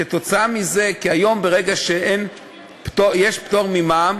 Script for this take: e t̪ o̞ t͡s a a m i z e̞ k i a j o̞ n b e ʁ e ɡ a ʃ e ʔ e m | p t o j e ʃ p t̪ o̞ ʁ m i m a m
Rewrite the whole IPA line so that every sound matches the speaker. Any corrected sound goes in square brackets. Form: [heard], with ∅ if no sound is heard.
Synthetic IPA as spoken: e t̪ o̞ t͡s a a m i z e̞ k i a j o̞ [m] b e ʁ e ɡ a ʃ e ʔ e [n] | p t o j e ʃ p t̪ o̞ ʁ m i m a m